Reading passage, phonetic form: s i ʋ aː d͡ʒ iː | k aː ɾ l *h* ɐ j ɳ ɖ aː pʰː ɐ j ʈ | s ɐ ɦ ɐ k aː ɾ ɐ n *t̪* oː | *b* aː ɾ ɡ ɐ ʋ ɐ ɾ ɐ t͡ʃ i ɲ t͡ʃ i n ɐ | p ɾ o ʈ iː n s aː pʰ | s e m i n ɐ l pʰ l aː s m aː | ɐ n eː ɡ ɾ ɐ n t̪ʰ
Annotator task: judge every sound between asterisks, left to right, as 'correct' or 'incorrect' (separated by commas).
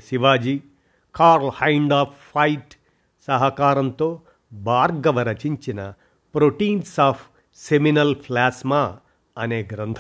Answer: correct, correct, correct